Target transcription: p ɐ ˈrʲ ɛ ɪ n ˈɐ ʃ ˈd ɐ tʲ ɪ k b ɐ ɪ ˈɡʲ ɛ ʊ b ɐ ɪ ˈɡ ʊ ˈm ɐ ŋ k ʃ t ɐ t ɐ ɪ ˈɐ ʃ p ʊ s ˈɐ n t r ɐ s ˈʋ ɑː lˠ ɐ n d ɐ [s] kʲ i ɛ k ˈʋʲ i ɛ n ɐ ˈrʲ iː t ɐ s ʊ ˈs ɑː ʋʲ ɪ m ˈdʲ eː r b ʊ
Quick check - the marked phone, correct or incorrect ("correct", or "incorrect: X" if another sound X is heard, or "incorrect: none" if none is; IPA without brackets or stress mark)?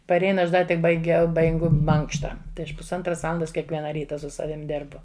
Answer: correct